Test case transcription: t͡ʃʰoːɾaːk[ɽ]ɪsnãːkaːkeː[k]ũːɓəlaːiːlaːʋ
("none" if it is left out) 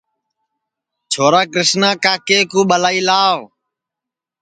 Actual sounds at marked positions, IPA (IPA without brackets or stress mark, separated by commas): ɾ, k